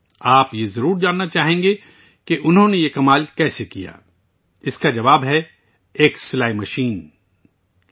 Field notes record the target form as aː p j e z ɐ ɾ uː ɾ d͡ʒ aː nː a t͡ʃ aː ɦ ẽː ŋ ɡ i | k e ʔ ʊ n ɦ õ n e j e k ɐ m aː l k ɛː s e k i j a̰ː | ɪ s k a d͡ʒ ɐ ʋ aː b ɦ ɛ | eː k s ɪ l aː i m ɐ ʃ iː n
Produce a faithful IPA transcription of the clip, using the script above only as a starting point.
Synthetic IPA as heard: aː p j e z ɐ ɾ uː ɾ d͡ʒ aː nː a t͡ʃ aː ɦ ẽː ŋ ɡ e | k e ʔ ʊ n ɦ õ n e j e k ɐ m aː l k ɛː s e k i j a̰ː | ɪ s k a d͡ʒ ɐ ʋ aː b ɦ ɛ | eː k s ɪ l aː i m ɐ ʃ iː n